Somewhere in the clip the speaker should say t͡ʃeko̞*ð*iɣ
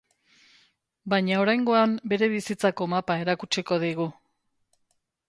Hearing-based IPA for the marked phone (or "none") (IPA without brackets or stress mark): ð